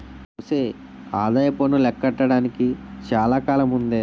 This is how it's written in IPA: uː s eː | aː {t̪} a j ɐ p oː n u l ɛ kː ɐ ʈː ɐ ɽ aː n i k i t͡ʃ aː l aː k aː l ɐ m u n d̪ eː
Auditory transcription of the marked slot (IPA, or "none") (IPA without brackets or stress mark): d̪